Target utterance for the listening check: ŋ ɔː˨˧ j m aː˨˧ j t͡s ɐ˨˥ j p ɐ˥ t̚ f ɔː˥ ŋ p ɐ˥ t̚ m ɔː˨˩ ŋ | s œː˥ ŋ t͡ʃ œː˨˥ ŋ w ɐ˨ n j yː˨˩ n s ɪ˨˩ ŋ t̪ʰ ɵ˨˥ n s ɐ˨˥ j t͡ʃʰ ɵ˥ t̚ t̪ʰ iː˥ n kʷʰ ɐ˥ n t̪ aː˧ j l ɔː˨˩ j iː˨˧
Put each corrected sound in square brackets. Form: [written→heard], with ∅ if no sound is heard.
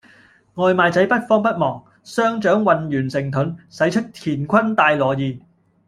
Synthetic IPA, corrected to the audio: ŋ ɔː˨˧ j m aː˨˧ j t͡s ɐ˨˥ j p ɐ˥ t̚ f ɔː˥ ŋ p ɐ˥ t̚ m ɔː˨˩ ŋ | s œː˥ ŋ t͡ʃ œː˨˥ ŋ w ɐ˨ n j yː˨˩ n s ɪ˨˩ ŋ t̪ʰ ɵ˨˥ n s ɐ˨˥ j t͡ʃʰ ɵ˥ t̚ t̪ʰ [iː˥→iː˨˩] n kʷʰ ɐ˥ n t̪ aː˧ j l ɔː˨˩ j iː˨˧